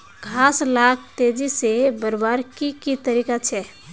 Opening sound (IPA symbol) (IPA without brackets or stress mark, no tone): ɡʱ